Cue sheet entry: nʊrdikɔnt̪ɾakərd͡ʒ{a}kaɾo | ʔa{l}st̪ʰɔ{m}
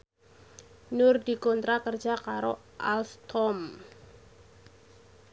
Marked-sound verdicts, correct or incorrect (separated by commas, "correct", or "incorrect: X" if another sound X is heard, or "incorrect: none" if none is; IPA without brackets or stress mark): correct, correct, correct